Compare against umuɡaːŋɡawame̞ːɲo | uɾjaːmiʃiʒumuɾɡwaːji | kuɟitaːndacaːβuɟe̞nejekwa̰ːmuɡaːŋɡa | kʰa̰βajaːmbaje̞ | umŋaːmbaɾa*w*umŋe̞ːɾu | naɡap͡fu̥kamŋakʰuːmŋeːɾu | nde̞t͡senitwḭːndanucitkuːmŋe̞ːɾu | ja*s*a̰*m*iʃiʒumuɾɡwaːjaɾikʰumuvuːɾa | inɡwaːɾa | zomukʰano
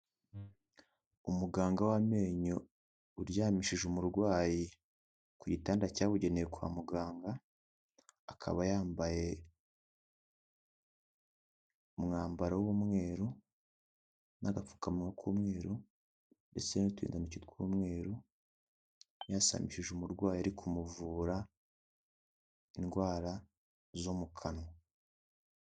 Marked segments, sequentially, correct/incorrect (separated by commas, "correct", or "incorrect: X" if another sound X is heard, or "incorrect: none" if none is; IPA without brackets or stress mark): correct, correct, correct